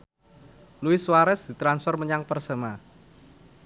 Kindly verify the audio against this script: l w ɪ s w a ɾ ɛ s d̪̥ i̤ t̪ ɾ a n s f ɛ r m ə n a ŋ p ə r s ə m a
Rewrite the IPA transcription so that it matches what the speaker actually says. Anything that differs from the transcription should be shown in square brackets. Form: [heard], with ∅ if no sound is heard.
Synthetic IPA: l [u] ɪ s w a ɾ ɛ s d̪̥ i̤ t̪ ɾ a n s f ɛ r m ə [ɲ] a ŋ p ə r s ə m a